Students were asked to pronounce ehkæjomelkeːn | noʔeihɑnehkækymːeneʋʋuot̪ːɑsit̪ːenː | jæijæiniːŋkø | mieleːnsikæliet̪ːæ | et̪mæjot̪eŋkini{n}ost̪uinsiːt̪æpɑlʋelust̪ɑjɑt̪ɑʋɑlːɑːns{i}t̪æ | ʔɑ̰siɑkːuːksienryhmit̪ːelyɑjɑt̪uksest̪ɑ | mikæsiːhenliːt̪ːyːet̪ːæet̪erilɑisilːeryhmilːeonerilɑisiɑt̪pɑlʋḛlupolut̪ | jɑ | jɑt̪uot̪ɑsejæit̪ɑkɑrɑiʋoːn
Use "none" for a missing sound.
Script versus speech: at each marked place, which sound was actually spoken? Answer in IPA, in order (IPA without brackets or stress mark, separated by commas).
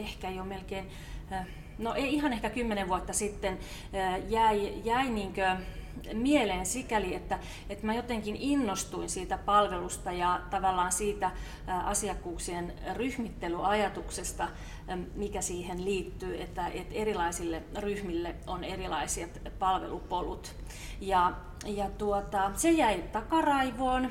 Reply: nː, iː